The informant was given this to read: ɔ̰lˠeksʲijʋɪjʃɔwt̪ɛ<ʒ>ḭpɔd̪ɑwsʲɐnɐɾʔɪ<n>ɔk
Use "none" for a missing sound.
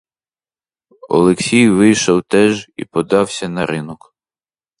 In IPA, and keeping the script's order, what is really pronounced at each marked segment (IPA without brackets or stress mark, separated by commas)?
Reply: ʒ, n